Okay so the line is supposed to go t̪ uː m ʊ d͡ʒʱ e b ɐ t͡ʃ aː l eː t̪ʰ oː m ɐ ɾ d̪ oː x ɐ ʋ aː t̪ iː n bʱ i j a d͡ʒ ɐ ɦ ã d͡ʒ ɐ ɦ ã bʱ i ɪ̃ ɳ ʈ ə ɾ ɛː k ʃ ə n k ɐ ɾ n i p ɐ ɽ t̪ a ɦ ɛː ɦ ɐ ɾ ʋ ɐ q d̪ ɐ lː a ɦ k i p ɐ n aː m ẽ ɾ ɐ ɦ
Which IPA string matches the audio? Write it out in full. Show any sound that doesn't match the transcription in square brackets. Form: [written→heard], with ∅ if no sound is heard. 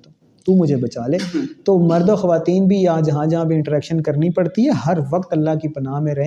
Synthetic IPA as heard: t̪ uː m ʊ d͡ʒʱ e b ɐ t͡ʃ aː l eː [t̪ʰ→t̪] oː m ɐ ɾ d̪ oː x ɐ ʋ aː t̪ iː n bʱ i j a d͡ʒ ɐ ɦ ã d͡ʒ ɐ ɦ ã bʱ i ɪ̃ ɳ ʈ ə ɾ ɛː k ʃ ə n k ɐ ɾ n i p ɐ ɽ t̪ [a→i] ɦ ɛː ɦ ɐ ɾ ʋ ɐ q [d̪→t̪] ɐ lː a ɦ k i p ɐ n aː m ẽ ɾ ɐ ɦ